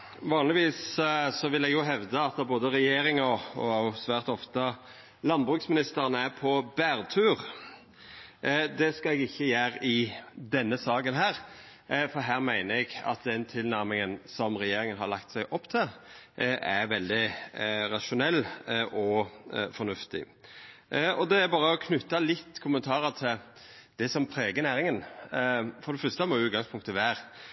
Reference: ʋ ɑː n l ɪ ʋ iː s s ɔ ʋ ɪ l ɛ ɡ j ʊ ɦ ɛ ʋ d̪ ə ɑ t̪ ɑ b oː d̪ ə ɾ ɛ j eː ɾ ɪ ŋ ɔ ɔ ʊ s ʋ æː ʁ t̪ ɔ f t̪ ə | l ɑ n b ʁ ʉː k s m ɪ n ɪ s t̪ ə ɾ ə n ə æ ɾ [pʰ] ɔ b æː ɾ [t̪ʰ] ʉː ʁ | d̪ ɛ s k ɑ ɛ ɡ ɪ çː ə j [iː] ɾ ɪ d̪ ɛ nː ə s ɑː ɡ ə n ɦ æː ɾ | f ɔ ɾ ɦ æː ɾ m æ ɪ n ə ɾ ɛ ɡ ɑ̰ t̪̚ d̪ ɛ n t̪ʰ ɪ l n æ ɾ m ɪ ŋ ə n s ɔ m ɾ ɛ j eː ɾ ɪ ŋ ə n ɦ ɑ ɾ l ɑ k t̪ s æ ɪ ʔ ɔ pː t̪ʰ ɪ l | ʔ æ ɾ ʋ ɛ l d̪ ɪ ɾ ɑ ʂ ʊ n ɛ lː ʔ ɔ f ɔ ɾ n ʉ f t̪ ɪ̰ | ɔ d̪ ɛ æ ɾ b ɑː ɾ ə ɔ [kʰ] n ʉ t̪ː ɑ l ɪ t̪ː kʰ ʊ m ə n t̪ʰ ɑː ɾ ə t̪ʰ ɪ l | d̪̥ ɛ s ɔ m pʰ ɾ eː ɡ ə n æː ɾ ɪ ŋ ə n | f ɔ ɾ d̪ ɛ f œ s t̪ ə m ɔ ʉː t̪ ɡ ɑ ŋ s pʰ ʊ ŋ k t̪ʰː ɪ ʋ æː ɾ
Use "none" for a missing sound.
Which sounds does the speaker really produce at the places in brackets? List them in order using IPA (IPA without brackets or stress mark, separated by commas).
pʰ, t̪ʰ, æː, kʰ